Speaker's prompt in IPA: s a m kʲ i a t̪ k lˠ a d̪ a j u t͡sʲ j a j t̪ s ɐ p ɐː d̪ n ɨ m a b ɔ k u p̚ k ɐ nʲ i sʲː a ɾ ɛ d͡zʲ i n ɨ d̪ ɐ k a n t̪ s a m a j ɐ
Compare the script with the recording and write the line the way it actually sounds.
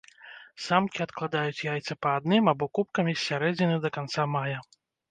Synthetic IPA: s a m kʲ i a t̪ k lˠ a d̪ a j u t͡sʲ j a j t̪ s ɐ p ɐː d̪ n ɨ m a b ɔ k u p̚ k ɐ mʲ i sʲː a ɾ ɛ d͡zʲ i n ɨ d̪ ɐ k a n t̪ s a m a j ɐ